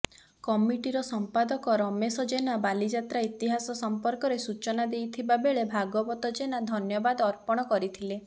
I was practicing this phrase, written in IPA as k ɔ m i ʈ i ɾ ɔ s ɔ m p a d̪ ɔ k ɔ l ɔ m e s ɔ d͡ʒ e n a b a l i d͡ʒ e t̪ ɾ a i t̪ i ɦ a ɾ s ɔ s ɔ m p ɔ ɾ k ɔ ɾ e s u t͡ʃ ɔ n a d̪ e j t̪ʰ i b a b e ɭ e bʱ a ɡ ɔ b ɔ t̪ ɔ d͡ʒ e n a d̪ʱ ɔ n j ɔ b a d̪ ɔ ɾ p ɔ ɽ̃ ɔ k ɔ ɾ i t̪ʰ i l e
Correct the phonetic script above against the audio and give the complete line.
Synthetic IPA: k ɔ m i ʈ i ɾ ɔ s ɔ m p a d̪ ɔ k ɔ ɾ ɔ m e s ɔ d͡ʒ e n a b a l i d͡ʒ a t̪ ɾ a i t̪ i ɦ a s ɔ s ɔ m p ɔ ɾ k ɔ ɾ e s u t͡ʃ ɔ n a d̪ e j t̪ʰ i b a b e ɭ e bʱ a ɡ ɔ b ɔ t̪ ɔ d͡ʒ e n a d̪ʱ ɔ n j ɔ b a d̪ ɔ ɾ p ɔ ɽ̃ ɔ k ɔ ɾ i t̪ʰ i l e